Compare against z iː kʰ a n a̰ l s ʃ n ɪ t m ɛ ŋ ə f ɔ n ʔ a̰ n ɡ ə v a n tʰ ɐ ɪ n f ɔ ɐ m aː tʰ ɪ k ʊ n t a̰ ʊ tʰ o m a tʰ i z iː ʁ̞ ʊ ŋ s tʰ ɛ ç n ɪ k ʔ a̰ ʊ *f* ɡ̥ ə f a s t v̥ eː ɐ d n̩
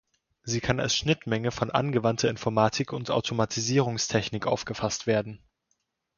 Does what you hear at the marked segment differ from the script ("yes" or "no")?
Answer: no